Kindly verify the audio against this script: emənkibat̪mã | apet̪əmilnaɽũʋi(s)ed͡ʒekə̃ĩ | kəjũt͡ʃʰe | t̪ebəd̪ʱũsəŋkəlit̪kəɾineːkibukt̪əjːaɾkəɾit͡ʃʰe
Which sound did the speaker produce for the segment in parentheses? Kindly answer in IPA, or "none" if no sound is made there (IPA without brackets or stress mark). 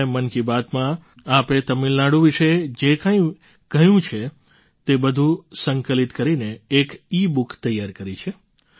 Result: ʃ